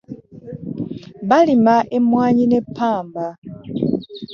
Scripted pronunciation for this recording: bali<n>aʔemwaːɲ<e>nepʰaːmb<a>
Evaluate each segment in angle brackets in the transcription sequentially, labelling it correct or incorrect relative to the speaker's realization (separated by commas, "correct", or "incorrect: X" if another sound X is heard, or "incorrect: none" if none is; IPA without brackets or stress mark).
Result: incorrect: m, incorrect: i, correct